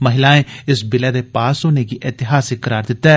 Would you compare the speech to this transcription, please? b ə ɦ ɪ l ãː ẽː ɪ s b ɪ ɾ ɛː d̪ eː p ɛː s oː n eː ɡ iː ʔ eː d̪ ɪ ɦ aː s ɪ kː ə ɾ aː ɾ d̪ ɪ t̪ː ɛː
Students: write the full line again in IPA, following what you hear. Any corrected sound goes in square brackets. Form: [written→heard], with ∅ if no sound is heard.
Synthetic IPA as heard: [b→m] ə ɦ ɪ l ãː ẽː ɪ s b ɪ [ɾ→l] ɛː d̪ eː p [ɛː→aː] s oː n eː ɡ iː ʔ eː [d̪→t̪] ɪ ɦ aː s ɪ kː ə ɾ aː ɾ d̪ ɪ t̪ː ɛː

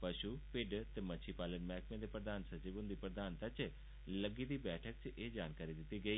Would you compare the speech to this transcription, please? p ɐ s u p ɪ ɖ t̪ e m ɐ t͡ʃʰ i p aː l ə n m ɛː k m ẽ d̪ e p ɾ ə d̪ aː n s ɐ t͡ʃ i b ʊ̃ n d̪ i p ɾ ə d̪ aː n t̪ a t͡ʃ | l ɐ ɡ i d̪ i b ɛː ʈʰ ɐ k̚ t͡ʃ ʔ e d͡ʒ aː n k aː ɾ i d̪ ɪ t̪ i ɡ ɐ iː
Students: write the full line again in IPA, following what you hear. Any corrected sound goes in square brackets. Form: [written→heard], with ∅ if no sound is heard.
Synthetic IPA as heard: p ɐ [s→ʃ] u p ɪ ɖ t̪ e m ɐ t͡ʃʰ i p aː l ə n m ɛː k m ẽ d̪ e p ɾ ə d̪ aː n s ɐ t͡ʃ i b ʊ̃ n d̪ i p ɾ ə d̪ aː n t̪ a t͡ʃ | l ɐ ɡ i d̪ i b ɛː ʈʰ [ɐ→ə] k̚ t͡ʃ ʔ e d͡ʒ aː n k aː ɾ i d̪ ɪ t̪ i ɡ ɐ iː

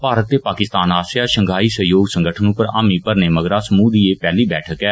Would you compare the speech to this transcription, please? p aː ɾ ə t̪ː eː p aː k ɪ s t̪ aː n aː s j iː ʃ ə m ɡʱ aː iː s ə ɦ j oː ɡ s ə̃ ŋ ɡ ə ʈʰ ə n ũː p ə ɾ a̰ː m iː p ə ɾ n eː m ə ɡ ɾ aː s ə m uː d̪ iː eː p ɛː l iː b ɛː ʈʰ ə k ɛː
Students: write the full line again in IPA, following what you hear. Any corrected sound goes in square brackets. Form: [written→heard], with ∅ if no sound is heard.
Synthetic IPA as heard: p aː ɾ ə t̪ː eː p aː k ɪ s t̪ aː n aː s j [iː→aː] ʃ ə [m→ŋ] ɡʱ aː iː s ə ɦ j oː ɡ s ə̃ ŋ ɡ ə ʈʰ ə n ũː p ə ɾ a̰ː m iː p ə ɾ n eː m ə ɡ ɾ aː s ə m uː d̪ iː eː p ɛː l iː b ɛː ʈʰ ə k ɛː

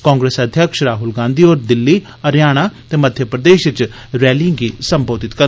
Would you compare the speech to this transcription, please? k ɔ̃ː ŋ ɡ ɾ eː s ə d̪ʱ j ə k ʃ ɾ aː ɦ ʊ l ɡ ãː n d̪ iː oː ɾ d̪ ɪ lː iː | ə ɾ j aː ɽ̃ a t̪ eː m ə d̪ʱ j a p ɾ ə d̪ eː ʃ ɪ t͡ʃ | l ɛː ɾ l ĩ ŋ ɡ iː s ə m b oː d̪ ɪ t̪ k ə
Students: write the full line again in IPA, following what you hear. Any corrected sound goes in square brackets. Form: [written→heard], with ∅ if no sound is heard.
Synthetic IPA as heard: k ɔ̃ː ŋ ɡ ɾ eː s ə d̪ʱ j ə k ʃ ɾ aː ɦ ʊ l ɡ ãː n d̪ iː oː ɾ d̪ ɪ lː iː | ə ɾ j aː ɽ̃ a t̪ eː m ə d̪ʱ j [a→ə] p ɾ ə d̪ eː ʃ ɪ t͡ʃ | [l→ɾ] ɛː [ɾ→∅] l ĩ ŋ ɡ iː s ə m b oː d̪ ɪ t̪ k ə

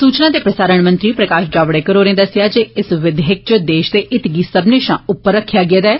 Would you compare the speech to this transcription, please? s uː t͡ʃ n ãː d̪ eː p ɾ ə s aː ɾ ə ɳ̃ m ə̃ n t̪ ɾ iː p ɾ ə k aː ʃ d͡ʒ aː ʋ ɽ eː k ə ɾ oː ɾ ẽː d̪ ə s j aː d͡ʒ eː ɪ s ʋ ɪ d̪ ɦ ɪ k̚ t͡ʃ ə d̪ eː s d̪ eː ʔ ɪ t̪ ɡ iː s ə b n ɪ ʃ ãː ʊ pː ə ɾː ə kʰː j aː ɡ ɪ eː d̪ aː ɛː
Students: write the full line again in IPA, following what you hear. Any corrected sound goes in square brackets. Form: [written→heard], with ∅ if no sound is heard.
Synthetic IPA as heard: s uː t͡ʃ n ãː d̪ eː p ɾ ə s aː ɾ ə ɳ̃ m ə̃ n t̪ ɾ iː p ɾ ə k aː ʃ d͡ʒ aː ʋ ɽ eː k ə ɾ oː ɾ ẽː d̪ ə s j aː d͡ʒ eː ɪ s ʋ ɪ d̪ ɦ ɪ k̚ t͡ʃ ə d̪ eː [s→ʃ] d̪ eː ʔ ɪ t̪ ɡ iː s ə b n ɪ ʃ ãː ʊ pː ə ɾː ə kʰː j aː ɡ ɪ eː d̪ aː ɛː

